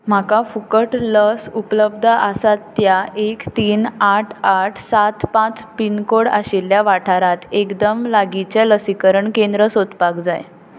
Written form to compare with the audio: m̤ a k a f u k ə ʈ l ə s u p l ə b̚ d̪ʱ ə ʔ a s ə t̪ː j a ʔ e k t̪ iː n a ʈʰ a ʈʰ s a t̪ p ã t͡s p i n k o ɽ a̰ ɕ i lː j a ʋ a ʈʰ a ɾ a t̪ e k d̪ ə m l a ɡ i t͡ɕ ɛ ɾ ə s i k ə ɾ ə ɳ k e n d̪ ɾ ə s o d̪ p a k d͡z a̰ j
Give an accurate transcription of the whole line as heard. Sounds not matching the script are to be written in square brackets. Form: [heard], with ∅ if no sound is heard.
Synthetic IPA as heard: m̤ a k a f u k ə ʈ l ə s u p l ə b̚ d̪ʱ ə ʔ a s [a] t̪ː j a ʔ e k t̪ iː n a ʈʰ a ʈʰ s a t̪ p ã t͡s p i n k o ɽ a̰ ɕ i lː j a ʋ a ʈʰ a ɾ a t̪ e k d̪ ə m l a ɡ i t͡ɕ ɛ [l] ə s i k ə ɾ ə ɳ k e n d̪ ɾ ə s o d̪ p a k d͡z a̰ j